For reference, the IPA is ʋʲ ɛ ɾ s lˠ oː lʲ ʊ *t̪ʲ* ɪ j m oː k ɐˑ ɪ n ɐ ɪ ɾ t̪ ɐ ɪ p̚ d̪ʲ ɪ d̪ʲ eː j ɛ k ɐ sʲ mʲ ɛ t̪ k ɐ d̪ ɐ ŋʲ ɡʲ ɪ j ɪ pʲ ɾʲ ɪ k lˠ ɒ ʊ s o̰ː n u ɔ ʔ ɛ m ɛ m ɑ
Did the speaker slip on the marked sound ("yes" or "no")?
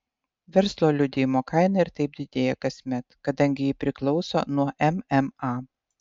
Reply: yes